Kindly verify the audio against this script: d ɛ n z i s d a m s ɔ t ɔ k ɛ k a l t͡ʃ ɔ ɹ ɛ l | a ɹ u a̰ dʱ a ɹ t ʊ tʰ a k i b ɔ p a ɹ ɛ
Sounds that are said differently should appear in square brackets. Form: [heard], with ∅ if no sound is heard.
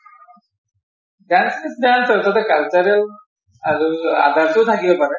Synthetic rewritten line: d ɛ n [s] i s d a [n] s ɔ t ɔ [t] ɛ k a l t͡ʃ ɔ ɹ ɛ l | a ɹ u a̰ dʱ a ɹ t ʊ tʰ a k i b ɔ p a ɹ ɛ